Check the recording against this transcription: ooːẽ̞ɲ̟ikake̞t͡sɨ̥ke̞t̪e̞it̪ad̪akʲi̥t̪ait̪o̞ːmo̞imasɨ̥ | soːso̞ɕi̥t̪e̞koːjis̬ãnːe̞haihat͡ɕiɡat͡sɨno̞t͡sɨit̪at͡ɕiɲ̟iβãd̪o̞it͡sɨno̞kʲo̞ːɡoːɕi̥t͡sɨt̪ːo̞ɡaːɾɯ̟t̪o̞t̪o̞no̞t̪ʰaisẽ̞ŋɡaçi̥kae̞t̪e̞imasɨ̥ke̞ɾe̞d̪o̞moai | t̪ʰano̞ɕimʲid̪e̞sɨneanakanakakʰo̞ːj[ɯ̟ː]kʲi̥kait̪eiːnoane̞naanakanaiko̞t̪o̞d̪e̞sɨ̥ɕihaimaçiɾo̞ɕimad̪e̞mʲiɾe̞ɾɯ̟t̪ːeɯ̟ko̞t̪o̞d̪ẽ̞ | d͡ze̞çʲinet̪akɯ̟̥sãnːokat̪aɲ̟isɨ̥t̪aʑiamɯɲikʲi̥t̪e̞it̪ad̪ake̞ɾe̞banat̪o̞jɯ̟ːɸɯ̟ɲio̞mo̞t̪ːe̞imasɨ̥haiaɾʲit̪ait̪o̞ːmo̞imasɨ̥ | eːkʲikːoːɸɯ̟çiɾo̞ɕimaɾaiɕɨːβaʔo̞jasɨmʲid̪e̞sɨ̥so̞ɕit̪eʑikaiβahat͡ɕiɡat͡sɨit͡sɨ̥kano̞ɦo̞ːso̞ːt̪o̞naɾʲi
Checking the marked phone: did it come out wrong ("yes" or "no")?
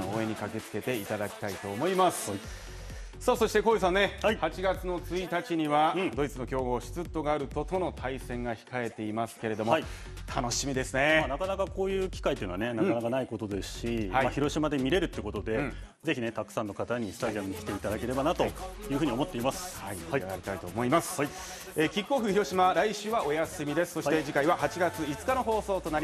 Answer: no